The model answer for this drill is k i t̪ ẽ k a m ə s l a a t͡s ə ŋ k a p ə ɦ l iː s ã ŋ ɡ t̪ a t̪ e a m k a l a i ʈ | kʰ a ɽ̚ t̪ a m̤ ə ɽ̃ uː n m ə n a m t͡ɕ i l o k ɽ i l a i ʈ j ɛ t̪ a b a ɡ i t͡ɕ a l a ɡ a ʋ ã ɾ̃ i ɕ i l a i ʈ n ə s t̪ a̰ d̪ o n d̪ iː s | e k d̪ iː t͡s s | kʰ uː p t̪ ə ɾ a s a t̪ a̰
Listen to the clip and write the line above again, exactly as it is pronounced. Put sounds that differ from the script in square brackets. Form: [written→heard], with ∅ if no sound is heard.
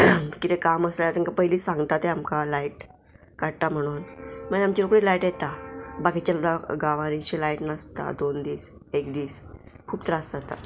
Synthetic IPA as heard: k i t̪ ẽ k a m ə s l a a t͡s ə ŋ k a p ə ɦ l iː s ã ŋ ɡ t̪ a t̪ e a m k a l a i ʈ | [kʰ→k] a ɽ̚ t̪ a m̤ ə ɽ̃ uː n m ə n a m t͡ɕ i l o k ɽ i l a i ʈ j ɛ t̪ a b a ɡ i t͡ɕ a l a ɡ a ʋ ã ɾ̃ i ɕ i l a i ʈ n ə s t̪ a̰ d̪ o n d̪ iː s | e k d̪ iː [t͡s→∅] s | kʰ uː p t̪ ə ɾ a s a t̪ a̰